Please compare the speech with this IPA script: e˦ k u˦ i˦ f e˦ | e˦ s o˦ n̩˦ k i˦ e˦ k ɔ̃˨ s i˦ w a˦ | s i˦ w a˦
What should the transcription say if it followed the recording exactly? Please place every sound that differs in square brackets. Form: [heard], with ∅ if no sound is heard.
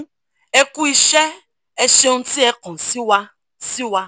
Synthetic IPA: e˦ k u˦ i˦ [ʃ] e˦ | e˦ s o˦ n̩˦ [t] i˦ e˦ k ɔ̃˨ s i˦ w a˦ | s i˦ w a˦